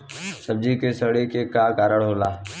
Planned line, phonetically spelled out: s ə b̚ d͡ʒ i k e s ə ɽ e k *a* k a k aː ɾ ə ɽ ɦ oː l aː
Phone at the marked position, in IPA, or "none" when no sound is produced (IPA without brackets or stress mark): e